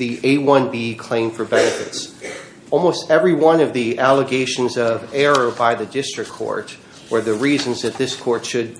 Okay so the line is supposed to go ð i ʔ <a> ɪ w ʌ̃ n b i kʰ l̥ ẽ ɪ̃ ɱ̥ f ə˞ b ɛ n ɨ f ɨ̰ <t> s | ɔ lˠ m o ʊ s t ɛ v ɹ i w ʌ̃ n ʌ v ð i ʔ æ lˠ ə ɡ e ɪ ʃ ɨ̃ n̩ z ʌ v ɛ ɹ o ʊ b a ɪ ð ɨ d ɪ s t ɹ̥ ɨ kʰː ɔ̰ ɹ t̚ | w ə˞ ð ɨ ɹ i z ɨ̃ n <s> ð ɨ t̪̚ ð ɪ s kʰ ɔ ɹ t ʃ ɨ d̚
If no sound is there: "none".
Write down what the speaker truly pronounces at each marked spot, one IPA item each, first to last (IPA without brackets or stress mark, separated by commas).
e, t, z